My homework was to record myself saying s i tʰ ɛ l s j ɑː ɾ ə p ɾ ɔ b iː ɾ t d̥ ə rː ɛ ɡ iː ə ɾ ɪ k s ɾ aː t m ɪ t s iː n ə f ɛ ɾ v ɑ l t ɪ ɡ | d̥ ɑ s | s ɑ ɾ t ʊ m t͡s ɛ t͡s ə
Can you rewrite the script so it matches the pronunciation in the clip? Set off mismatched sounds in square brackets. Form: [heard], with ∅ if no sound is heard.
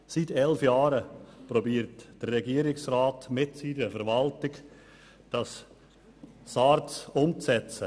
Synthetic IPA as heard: s i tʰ ɛ l [f] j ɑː ɾ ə p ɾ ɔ b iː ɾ t d̥ ə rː ɛ ɡ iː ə ɾ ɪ k s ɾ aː t m ɪ t s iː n ə f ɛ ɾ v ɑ l t ɪ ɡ | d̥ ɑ s | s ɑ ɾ [t͡s] ʊ m t͡s ɛ t͡s ə